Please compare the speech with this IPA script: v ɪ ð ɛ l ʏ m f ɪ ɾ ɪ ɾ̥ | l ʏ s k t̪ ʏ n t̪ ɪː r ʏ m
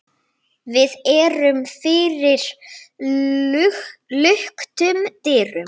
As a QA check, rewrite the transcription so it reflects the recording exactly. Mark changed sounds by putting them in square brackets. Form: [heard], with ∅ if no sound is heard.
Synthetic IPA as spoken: v ɪ ð ɛ [ɾ] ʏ m f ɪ ɾ ɪ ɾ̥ | l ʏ [h] k t̪ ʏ [m] t̪ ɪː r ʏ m